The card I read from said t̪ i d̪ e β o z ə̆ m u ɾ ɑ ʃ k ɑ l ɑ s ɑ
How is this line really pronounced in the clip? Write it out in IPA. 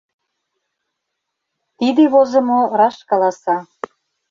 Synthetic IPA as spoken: t̪ i d̪ e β o z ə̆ m o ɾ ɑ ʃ k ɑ l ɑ s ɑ